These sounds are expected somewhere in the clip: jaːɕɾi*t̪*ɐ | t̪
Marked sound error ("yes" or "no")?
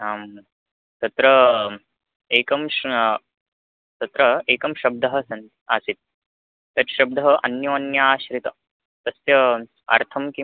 no